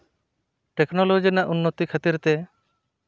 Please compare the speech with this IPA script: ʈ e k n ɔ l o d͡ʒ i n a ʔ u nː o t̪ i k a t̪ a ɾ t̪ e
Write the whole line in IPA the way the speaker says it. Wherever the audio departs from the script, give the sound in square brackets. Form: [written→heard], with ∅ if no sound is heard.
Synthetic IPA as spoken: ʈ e k n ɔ l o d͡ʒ i n a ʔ u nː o t̪ i [k→kʰ] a t̪ [a→i] ɾ t̪ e